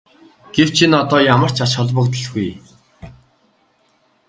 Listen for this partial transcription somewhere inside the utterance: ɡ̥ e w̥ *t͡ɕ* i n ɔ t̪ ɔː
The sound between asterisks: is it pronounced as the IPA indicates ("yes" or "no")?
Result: no